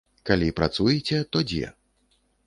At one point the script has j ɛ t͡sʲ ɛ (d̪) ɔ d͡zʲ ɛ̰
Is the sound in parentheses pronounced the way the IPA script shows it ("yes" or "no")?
no